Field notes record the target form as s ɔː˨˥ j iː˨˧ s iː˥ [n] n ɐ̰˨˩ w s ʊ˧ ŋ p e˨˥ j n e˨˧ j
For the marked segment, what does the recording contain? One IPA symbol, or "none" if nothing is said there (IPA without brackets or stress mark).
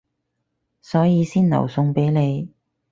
n